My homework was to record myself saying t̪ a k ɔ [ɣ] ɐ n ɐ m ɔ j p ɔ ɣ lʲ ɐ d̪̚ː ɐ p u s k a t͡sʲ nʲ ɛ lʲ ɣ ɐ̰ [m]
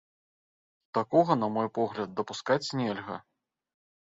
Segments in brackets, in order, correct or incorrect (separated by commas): correct, incorrect